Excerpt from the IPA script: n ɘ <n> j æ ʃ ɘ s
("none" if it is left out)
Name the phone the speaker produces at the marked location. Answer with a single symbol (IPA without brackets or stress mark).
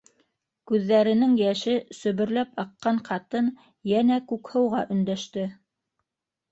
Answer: ŋ